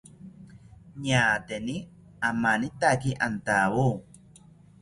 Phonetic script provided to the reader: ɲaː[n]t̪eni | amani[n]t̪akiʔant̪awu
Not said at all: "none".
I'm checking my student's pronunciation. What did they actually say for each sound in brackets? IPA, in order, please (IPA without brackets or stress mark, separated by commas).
none, none